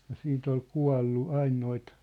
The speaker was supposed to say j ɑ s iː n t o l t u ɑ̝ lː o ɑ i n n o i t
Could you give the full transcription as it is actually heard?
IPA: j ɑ s iː n t o l k u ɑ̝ lː u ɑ i n n o i t